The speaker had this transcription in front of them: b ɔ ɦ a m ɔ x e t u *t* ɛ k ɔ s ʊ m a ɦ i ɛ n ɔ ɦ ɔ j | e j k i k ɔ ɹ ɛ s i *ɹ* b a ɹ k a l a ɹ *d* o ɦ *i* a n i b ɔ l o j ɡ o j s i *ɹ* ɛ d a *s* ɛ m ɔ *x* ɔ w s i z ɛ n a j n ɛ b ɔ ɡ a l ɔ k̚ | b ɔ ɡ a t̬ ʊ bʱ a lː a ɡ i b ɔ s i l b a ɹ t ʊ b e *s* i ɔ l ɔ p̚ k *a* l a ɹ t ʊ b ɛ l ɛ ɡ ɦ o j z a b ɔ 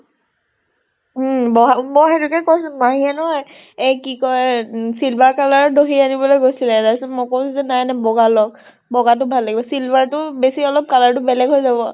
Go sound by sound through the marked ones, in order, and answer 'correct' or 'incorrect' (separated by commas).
incorrect, incorrect, correct, correct, incorrect, correct, incorrect, correct, correct